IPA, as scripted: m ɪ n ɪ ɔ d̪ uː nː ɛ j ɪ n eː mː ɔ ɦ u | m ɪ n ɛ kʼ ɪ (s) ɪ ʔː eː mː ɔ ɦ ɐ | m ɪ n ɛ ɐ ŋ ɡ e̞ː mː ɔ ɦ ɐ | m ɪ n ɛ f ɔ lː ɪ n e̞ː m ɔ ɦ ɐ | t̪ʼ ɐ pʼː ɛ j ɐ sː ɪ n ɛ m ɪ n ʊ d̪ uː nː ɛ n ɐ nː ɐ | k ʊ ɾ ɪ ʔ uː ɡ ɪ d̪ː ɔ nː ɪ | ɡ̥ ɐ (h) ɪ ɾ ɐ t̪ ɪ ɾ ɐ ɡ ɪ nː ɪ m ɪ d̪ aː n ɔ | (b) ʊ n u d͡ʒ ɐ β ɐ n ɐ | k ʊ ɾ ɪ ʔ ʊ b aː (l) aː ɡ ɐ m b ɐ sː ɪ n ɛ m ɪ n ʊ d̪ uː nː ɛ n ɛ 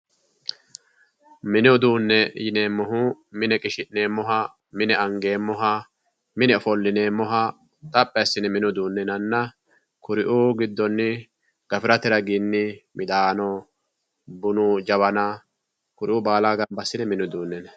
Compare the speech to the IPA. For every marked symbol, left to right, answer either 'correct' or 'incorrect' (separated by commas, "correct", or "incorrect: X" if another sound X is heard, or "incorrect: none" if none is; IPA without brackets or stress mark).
incorrect: ʃ, incorrect: f, correct, correct